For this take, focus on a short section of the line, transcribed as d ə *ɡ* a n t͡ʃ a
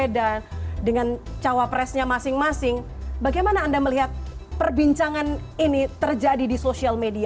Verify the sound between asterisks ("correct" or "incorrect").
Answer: incorrect